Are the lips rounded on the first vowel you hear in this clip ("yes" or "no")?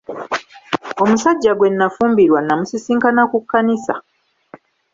yes